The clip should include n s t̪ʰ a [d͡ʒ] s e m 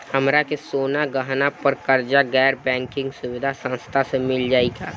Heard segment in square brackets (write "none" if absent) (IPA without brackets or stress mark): none